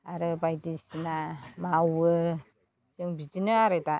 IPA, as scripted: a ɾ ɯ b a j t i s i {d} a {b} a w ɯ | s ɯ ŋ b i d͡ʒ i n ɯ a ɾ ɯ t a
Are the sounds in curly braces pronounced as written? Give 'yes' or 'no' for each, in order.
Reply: no, no

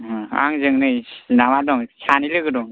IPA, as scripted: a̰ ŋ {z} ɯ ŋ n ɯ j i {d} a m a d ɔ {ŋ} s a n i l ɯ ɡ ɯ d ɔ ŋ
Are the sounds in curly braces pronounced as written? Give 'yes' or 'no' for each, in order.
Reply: yes, no, yes

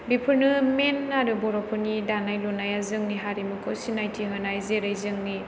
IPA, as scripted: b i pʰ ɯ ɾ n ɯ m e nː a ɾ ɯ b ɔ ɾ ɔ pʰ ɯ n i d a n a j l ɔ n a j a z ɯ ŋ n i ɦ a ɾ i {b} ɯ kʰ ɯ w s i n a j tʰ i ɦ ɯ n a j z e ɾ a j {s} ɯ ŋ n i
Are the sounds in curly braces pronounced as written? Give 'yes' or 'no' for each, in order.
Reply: no, no

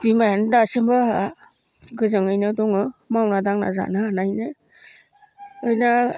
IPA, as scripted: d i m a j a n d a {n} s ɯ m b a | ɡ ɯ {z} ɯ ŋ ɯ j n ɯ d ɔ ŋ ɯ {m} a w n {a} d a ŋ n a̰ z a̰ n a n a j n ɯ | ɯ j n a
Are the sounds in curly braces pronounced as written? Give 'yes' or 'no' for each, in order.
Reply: no, yes, yes, yes

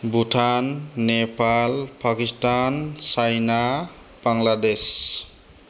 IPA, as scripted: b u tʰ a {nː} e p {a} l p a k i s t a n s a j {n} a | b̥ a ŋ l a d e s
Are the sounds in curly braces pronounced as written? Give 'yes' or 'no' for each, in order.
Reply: yes, yes, yes

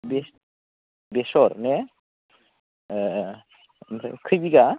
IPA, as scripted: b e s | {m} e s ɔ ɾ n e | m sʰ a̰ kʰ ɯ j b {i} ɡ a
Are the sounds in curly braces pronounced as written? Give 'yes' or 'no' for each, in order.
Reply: no, yes

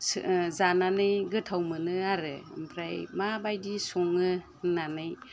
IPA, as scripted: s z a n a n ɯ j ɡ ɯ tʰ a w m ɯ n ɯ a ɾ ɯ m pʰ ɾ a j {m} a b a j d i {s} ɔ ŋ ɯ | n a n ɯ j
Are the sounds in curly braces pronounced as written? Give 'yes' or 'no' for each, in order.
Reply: yes, yes

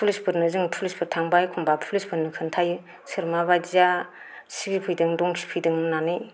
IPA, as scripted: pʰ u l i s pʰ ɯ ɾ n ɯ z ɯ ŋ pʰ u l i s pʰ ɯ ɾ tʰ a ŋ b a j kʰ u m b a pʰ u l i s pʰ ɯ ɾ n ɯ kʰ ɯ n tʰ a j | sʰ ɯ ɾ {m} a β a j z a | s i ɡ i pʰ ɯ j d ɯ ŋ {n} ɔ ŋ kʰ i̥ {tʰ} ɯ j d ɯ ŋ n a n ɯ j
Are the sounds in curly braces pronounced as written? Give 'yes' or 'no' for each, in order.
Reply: yes, no, no

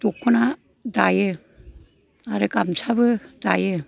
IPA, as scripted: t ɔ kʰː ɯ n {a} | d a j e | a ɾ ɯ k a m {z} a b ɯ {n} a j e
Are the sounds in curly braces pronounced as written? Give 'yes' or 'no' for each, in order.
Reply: yes, no, no

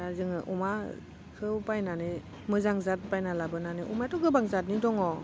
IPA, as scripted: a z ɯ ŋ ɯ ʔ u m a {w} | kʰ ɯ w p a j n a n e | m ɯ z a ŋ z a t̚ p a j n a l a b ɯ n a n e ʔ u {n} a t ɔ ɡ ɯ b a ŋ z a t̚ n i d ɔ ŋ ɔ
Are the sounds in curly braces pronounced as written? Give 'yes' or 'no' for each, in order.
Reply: no, no

